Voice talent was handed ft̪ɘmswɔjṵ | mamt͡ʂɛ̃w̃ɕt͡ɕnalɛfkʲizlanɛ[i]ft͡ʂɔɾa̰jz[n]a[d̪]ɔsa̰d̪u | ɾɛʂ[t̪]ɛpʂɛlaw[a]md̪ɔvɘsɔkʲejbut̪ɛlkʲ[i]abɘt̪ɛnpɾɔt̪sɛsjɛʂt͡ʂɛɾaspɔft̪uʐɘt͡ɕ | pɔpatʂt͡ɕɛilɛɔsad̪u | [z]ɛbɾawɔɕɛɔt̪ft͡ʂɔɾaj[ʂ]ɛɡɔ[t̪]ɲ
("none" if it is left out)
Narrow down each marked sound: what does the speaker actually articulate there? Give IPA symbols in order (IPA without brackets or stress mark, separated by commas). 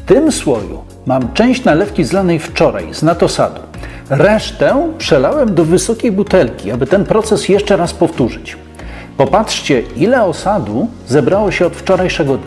j, n, t̪, t̪, ɛ, i, z, ʂ, d̪